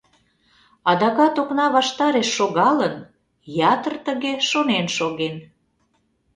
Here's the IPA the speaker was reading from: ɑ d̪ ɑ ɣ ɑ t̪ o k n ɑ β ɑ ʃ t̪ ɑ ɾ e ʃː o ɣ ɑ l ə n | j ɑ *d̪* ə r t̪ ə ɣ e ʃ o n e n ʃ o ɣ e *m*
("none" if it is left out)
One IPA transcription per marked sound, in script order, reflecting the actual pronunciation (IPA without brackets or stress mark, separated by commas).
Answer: t̪, n